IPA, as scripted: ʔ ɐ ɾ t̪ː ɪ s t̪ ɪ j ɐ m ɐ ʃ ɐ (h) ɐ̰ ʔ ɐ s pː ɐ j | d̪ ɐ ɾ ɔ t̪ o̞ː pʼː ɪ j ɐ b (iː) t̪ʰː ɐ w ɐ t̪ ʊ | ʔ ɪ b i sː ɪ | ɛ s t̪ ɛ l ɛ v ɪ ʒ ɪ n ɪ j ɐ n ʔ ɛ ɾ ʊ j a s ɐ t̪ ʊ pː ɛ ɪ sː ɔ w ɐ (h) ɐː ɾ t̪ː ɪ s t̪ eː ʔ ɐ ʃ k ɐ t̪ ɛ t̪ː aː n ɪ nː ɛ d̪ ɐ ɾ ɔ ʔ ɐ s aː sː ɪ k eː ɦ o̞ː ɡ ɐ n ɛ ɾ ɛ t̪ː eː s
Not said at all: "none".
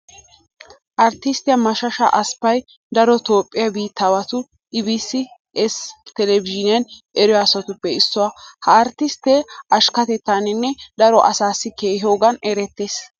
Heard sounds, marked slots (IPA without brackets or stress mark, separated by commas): ʃ, iː, h